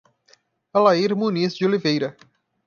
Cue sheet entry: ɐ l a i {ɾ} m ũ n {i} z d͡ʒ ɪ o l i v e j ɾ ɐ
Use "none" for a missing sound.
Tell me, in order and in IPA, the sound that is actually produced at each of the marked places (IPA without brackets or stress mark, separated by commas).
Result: ɾ, i